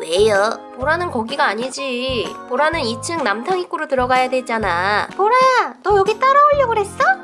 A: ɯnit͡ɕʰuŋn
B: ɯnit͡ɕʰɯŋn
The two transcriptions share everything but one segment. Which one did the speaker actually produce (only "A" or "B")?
B